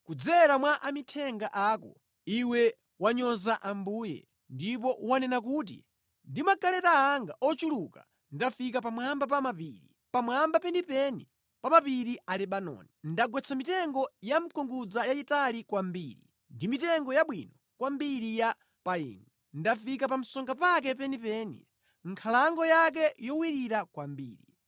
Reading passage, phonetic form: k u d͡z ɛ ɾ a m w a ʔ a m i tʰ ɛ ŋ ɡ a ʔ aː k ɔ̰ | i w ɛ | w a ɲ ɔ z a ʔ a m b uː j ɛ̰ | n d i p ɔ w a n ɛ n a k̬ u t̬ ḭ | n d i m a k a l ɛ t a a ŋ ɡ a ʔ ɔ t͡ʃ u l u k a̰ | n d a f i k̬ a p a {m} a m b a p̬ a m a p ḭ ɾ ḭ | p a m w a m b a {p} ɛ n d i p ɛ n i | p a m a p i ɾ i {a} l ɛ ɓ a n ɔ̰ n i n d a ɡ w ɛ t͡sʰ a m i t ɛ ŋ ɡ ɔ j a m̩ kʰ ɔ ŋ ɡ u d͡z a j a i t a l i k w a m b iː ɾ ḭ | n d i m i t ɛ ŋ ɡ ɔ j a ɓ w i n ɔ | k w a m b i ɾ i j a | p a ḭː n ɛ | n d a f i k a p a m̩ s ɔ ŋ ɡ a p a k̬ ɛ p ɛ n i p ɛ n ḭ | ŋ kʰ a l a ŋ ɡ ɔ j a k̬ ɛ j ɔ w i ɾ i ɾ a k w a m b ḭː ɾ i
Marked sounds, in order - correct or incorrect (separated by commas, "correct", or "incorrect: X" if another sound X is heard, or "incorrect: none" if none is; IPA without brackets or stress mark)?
correct, correct, correct